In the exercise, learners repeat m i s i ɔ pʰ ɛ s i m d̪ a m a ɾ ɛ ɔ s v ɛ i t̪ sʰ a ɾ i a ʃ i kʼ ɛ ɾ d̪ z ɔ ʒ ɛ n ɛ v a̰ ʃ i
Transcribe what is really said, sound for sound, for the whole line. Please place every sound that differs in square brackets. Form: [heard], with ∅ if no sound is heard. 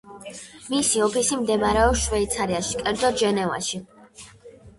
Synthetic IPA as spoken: m i s i ɔ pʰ [i] s i m d̪ [ɛ] m a ɾ ɛ ɔ [ʃ] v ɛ i t̪ sʰ a ɾ i a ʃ i kʼ ɛ ɾ d̪ z ɔ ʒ ɛ n ɛ v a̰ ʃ i